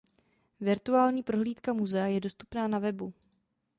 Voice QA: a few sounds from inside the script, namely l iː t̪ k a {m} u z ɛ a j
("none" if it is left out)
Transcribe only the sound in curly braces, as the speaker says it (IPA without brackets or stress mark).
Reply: m